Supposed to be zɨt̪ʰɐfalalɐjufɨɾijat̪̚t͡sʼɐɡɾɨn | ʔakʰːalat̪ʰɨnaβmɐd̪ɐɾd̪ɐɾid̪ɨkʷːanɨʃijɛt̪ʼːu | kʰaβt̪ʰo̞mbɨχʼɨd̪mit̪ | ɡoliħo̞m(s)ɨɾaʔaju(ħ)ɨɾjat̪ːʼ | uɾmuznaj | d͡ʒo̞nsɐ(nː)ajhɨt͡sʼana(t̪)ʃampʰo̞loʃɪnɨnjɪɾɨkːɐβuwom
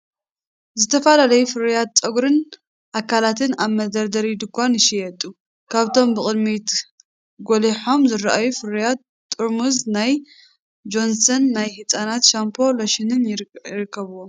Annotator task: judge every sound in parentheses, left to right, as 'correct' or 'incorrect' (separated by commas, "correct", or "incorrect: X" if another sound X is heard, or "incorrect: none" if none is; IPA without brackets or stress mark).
incorrect: z, incorrect: f, correct, correct